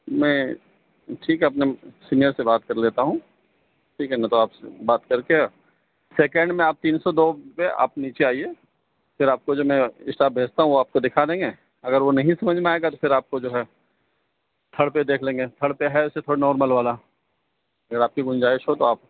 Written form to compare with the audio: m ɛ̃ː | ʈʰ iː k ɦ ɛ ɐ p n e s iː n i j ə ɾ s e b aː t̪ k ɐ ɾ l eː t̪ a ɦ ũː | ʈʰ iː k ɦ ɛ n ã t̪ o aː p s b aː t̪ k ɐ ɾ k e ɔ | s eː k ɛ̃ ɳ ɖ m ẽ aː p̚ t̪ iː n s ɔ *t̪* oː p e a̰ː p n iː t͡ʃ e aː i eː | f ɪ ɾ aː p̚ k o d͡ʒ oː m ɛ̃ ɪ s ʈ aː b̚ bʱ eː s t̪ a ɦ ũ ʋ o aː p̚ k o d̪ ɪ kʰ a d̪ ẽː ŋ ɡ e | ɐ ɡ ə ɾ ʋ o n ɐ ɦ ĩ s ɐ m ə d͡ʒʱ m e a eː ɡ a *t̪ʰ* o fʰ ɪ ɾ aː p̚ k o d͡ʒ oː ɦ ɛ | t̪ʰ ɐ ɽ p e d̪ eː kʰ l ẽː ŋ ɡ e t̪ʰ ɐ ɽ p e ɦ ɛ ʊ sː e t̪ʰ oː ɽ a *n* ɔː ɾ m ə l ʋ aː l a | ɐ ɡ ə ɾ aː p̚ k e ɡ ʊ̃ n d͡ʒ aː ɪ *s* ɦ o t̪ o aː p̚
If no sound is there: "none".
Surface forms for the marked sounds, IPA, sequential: d̪, t̪, n, ʃ

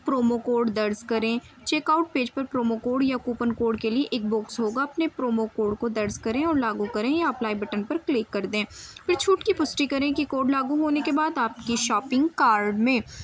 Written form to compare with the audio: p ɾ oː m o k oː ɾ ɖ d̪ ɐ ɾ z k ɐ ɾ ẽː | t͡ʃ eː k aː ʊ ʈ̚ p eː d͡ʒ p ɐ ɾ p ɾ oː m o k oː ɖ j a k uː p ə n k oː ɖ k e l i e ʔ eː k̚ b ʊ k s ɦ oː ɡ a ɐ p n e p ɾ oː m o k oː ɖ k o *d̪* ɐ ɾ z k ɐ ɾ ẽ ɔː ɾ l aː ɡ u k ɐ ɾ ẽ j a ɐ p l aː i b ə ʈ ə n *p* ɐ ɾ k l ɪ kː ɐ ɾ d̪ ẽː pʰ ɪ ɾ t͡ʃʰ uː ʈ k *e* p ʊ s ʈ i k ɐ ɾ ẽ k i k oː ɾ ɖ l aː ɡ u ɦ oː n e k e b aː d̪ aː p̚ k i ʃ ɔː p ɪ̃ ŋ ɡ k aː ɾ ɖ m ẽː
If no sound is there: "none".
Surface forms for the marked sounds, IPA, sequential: d̪, p, i

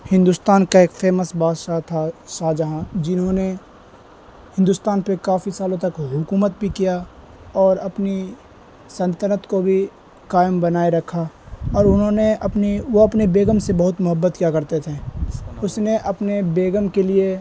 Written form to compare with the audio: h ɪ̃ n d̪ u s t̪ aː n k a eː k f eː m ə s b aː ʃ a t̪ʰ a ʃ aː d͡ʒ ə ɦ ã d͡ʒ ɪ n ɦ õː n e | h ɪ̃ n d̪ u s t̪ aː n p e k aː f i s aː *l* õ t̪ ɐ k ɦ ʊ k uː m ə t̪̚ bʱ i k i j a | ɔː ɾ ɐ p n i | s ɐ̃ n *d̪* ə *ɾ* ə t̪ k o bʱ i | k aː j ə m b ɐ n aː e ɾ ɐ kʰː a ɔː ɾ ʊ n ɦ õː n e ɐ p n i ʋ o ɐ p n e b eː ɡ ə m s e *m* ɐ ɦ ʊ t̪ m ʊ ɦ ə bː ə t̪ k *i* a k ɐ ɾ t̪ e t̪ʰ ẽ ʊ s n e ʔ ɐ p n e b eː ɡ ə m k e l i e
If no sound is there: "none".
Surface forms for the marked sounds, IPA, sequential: l, t̪, ɾ, b, j

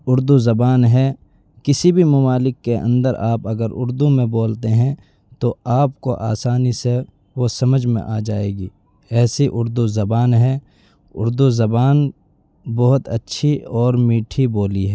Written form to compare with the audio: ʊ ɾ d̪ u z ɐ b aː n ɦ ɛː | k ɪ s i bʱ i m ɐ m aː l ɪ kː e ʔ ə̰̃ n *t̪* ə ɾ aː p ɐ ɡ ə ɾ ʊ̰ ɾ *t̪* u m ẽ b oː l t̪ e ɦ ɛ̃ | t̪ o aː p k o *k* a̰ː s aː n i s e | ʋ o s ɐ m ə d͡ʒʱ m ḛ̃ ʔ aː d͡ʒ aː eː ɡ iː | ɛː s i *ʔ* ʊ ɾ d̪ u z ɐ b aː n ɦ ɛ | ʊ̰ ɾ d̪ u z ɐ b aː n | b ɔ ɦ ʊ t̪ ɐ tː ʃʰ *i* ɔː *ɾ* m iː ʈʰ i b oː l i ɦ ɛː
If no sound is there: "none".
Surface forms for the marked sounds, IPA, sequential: d̪, d̪, ʔ, ʔ, i, ɾ

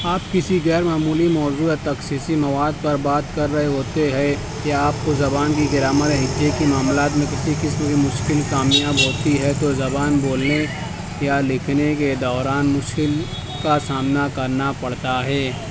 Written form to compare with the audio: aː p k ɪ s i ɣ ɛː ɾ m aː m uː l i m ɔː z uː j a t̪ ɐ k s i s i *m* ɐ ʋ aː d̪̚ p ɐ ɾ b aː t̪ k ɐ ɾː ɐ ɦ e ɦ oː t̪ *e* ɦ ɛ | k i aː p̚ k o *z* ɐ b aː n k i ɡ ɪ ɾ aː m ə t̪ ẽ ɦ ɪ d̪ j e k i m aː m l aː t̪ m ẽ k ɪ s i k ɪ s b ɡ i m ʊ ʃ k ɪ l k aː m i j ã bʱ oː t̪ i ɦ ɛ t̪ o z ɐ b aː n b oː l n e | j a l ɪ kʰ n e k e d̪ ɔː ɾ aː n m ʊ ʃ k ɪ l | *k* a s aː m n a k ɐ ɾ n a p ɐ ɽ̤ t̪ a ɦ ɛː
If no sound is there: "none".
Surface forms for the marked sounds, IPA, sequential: m, e, z, k

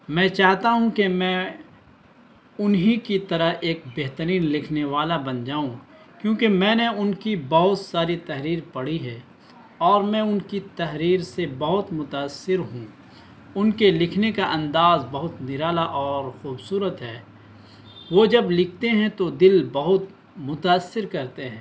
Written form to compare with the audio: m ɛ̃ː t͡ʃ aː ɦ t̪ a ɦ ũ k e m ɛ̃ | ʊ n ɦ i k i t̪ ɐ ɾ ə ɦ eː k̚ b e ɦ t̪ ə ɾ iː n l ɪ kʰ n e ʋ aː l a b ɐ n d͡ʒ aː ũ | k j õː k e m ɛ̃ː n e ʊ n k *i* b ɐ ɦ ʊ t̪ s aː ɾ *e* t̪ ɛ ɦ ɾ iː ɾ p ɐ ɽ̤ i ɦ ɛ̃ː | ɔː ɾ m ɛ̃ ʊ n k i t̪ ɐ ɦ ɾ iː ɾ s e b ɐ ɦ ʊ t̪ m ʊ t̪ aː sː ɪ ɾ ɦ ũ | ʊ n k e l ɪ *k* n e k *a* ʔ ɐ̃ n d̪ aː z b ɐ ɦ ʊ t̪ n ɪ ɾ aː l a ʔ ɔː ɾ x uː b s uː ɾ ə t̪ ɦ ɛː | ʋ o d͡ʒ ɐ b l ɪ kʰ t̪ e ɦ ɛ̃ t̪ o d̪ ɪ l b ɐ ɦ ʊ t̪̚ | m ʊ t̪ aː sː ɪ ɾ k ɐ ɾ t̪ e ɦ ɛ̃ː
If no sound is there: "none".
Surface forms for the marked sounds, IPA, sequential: i, i, kʰ, a

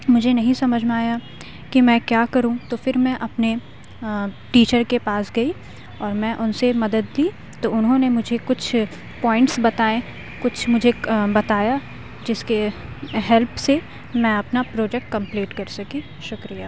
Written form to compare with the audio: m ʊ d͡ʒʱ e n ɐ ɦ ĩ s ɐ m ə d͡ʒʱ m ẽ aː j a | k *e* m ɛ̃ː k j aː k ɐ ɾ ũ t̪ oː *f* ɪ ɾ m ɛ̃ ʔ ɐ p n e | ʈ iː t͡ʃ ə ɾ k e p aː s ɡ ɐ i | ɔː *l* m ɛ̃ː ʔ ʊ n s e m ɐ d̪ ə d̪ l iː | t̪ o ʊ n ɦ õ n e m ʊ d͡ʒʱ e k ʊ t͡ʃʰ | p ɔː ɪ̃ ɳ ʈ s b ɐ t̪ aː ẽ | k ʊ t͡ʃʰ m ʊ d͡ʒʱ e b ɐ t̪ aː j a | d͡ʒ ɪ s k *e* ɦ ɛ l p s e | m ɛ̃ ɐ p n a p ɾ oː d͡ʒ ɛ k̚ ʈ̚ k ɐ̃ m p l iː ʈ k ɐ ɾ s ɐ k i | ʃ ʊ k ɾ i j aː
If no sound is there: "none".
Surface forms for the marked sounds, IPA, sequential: i, f, ɾ, e

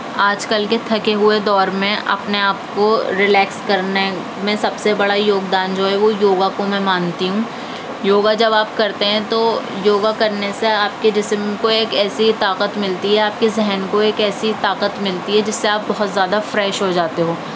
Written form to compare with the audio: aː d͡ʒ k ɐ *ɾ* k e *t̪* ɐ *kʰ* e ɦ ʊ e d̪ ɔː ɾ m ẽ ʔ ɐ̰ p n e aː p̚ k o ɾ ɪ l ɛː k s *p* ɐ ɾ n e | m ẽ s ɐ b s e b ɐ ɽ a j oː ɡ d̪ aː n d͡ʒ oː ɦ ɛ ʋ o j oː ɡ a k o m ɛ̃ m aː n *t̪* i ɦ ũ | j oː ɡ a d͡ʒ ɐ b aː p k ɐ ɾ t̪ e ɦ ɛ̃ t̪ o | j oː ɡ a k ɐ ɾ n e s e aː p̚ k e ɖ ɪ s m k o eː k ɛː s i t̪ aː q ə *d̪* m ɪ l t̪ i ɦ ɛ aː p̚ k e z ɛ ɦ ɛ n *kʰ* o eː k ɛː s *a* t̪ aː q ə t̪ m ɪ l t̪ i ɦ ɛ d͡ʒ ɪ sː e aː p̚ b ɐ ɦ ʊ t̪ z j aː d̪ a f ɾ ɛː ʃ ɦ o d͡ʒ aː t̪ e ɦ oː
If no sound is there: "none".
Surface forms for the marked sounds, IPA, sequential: l, t̪ʰ, k, k, t̪, t̪, k, i

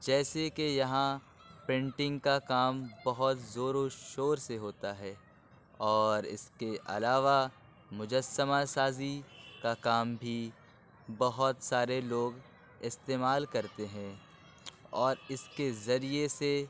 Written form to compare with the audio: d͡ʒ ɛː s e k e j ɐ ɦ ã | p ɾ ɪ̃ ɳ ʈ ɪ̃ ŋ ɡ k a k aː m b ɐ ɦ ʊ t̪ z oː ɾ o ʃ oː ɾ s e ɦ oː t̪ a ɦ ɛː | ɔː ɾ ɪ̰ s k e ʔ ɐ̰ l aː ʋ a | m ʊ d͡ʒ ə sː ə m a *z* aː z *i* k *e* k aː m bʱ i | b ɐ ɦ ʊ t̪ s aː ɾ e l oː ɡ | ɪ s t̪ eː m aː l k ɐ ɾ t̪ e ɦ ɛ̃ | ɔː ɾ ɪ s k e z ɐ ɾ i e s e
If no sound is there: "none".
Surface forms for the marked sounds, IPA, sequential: s, i, a

